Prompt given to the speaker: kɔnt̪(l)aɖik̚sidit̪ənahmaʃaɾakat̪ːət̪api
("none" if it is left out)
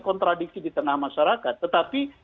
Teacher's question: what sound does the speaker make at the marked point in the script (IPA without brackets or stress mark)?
ɾ